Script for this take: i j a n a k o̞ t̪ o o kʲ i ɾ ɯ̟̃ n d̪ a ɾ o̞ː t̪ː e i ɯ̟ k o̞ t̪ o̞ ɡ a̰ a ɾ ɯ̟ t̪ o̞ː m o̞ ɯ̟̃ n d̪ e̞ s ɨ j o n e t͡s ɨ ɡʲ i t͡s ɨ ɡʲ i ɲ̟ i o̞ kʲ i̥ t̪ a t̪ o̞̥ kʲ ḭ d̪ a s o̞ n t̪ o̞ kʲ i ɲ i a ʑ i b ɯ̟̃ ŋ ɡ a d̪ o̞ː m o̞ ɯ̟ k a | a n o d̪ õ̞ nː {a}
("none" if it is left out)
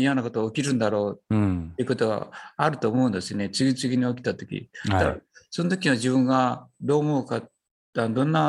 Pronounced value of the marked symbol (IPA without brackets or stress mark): a